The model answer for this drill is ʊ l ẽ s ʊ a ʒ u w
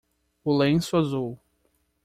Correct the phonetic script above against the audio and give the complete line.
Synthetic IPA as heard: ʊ l ẽ s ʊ a z u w